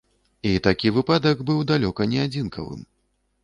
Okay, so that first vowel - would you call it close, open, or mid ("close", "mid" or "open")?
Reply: close